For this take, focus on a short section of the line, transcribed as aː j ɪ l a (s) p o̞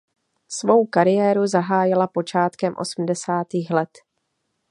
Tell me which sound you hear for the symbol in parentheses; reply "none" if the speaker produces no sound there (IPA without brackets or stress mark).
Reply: none